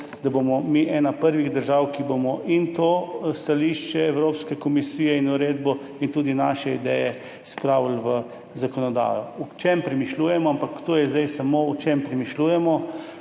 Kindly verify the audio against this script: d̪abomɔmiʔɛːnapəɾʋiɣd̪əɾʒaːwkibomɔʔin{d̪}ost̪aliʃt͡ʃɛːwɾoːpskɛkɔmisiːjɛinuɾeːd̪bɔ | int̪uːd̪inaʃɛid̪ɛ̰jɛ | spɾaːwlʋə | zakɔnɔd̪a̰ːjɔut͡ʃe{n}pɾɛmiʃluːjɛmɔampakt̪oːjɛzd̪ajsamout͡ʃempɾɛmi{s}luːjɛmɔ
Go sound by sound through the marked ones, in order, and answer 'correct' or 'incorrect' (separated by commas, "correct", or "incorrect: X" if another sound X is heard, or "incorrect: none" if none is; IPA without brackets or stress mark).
incorrect: t̪, incorrect: m, incorrect: ʃ